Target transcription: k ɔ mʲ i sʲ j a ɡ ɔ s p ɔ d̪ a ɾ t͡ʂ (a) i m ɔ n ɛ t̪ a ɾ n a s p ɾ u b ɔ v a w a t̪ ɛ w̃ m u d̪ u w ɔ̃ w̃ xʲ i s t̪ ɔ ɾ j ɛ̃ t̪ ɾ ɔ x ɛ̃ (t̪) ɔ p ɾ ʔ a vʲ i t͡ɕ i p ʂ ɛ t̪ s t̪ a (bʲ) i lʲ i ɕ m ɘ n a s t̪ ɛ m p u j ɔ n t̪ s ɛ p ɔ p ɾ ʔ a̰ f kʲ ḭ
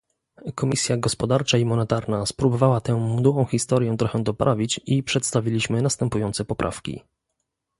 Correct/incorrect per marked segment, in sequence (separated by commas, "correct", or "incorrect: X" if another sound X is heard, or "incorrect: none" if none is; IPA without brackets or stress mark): correct, incorrect: d̪, incorrect: vʲ